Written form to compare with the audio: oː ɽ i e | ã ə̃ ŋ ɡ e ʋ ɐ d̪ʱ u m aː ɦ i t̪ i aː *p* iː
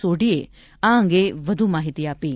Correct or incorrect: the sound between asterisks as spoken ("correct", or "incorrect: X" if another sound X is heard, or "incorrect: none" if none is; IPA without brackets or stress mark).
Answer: correct